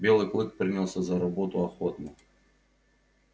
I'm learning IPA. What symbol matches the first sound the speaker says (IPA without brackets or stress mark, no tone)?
bʲ